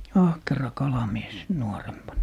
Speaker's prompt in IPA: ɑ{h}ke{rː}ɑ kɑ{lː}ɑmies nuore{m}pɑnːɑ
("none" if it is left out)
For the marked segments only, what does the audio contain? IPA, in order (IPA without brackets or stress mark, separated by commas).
h, r, l, m